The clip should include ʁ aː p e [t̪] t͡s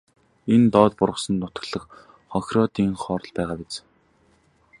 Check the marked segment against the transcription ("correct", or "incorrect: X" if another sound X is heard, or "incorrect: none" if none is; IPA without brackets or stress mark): incorrect: none